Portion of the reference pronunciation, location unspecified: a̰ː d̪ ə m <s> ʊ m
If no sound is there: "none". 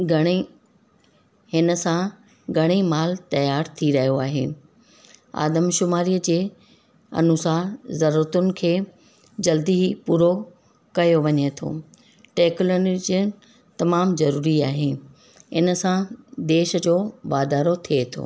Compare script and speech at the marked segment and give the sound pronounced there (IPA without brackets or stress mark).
ʃ